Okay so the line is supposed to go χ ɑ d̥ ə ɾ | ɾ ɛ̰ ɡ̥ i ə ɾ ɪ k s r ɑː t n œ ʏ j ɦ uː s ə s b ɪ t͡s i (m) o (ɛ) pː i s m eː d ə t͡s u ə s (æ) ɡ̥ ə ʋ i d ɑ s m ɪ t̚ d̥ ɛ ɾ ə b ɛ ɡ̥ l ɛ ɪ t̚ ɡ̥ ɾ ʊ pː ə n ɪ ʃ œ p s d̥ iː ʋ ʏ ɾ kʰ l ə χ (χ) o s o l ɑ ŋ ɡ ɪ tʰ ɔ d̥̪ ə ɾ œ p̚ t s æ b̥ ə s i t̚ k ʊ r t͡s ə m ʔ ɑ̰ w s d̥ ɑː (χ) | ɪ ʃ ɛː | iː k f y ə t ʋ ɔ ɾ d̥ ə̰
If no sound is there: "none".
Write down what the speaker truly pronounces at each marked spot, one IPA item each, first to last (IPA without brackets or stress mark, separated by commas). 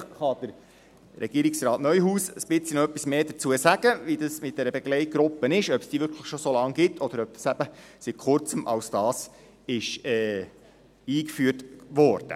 n, œ, æ, ʃ, s